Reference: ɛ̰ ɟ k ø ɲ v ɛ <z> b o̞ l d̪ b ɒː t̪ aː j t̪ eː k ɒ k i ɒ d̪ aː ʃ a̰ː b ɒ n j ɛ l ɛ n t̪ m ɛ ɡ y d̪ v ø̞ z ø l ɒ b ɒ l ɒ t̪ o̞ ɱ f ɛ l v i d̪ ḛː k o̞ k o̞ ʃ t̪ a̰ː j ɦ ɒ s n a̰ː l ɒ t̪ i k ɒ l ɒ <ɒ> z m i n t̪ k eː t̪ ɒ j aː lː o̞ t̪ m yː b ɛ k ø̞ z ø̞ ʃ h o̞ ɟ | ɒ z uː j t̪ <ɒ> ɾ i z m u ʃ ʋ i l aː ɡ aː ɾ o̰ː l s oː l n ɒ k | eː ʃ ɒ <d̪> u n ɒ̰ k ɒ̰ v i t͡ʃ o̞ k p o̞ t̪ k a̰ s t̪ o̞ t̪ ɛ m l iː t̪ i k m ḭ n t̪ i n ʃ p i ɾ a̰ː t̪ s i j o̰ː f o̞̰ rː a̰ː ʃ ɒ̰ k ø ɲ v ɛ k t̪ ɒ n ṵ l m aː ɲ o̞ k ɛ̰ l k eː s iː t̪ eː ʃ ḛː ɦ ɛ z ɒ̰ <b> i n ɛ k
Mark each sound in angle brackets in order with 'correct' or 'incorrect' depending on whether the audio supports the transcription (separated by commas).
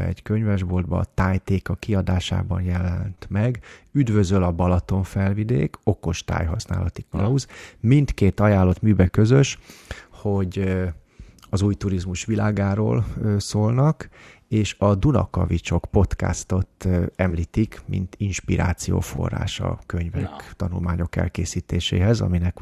incorrect, incorrect, incorrect, correct, incorrect